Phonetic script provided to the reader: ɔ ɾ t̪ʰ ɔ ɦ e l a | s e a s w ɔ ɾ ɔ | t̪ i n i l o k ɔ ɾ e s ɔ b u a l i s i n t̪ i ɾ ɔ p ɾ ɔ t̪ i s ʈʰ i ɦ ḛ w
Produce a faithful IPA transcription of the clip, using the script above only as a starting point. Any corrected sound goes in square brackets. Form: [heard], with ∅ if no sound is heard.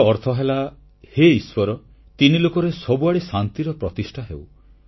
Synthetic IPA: ɔ ɾ t̪ʰ ɔ ɦ e l a | [h] e [i] s w ɔ ɾ ɔ | t̪ i n i l o k ɔ ɾ e s ɔ b u a [ɽ] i s [a] n t̪ i ɾ ɔ p ɾ ɔ t̪ i s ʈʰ [a] ɦ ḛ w

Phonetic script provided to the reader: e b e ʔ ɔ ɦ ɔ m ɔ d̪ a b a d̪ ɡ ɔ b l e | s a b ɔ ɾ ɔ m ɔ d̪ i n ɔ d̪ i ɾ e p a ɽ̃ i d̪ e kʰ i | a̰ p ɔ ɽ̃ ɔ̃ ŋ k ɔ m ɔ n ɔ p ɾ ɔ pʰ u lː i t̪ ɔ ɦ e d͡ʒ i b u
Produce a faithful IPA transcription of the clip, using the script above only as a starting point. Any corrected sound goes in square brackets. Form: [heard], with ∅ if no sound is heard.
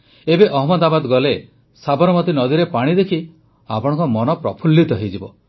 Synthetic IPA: e b e ʔ ɔ ɦ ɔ m ɔ d̪ a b a d̪ ɡ ɔ [∅] l e | s a b ɔ ɾ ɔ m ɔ [t̪] i n ɔ d̪ i ɾ e p a ɽ̃ i d̪ e kʰ i | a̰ p ɔ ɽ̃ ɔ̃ ŋ k ɔ m ɔ n ɔ p ɾ ɔ pʰ u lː i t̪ ɔ ɦ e d͡ʒ i b [ɔ]

